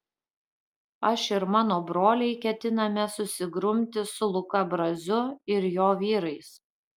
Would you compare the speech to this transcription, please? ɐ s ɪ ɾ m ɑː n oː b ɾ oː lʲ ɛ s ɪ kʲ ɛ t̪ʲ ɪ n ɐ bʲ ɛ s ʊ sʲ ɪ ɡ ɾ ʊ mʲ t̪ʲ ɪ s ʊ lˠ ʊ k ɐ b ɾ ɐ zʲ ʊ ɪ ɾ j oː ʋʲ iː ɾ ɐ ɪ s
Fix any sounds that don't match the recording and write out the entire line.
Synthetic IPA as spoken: ɐ ʃ ɪ ɾ m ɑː n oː b ɾ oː lʲ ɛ ɪ kʲ ɛ t̪ʲ ɪ n ɐ mʲ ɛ s ʊ sʲ ɪ ɡ ɾ ʊ mʲ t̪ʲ ɪ s ʊ lˠ ʊ k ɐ b ɾ ɐ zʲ ʊ ɪ ɾ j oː ʋʲ iː ɾ ɐ ɪ s